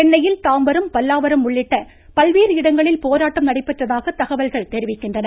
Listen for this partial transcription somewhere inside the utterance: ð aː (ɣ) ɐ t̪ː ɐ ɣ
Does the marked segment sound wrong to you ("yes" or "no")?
no